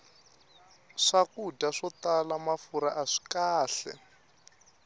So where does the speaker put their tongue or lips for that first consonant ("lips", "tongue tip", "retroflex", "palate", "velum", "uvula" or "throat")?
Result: retroflex